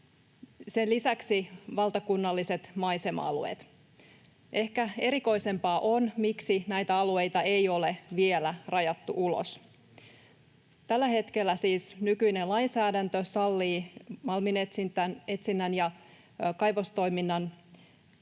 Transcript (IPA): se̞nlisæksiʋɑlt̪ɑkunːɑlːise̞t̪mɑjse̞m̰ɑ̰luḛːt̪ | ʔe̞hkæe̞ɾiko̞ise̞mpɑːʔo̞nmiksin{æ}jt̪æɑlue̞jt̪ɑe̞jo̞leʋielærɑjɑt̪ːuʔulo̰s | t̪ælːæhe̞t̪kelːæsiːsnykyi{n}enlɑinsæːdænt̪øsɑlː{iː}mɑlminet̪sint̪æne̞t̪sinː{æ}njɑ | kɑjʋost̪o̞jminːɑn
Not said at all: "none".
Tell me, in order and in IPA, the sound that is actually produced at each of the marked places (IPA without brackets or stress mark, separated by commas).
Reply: æ, n, iː, æ